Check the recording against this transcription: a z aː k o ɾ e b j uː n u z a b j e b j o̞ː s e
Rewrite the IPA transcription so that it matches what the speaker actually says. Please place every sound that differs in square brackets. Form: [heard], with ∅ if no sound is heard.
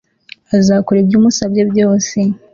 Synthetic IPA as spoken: a z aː k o ɾ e b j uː [m] u [s] a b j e b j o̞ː s e

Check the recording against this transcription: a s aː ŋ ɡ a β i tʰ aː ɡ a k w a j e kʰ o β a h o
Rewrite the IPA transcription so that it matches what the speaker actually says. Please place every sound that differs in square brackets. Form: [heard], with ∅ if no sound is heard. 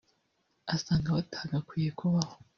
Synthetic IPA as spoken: a s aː ŋ ɡ a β [a] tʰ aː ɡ a k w [i] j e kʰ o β a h o

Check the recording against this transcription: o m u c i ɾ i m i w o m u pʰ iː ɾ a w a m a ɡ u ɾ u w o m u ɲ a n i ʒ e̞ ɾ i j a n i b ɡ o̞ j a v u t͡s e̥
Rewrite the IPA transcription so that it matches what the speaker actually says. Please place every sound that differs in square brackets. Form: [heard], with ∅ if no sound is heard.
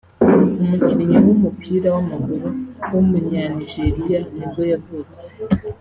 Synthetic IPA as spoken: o m u c i ɾ i [ɲ] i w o m u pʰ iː ɾ a w a m a ɡ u ɾ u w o m u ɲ a n i ʒ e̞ ɾ i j a n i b ɡ o̞ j a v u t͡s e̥

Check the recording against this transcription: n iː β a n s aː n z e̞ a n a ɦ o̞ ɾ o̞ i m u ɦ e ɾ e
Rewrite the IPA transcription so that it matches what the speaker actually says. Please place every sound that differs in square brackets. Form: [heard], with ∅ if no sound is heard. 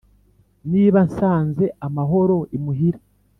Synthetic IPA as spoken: n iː β a n s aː n z e̞ a [m] a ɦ o̞ ɾ o̞ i m u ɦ [i] ɾ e

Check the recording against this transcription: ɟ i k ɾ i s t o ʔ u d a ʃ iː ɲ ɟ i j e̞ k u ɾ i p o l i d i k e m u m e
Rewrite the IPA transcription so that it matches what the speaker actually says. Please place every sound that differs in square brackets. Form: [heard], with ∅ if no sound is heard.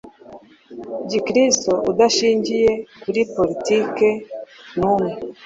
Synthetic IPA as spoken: ɟ i k ɾ i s t o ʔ u d a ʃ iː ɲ ɟ i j e̞ k u ɾ i p o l i [t] i k e [n] u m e

